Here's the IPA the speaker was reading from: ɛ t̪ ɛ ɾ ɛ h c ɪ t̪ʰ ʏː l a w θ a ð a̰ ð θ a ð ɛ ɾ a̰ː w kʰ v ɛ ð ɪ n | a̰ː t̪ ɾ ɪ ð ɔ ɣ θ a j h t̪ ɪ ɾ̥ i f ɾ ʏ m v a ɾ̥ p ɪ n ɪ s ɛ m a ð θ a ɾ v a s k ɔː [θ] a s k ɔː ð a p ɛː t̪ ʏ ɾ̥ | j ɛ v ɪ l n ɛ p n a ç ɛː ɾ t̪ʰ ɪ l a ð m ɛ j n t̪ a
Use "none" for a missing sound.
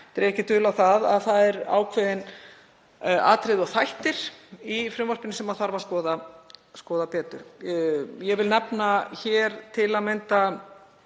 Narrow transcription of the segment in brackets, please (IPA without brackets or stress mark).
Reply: ð